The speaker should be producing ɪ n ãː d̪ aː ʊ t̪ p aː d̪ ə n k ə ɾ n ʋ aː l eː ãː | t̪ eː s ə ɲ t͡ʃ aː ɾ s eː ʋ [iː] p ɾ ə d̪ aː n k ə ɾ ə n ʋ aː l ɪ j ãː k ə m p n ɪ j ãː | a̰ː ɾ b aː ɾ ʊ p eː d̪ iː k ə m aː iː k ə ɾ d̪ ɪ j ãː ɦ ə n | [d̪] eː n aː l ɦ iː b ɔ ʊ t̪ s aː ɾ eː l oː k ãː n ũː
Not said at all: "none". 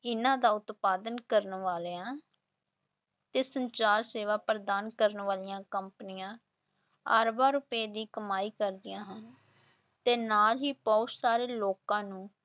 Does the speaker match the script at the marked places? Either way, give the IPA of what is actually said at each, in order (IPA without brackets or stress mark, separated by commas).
aː, t̪